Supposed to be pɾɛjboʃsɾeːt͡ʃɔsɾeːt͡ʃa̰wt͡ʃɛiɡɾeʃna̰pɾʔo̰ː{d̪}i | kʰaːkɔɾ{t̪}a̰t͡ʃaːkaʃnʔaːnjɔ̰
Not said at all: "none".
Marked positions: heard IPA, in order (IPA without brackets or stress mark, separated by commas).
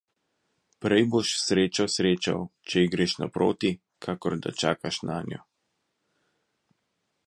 t̪, d̪